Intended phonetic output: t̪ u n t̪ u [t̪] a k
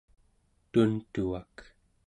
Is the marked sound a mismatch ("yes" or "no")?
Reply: yes